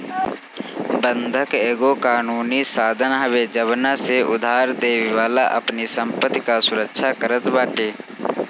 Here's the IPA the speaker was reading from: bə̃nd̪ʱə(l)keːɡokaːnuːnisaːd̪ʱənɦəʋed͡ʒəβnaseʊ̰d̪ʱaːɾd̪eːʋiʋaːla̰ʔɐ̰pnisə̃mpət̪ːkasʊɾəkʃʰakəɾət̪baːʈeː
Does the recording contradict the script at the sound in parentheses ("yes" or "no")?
yes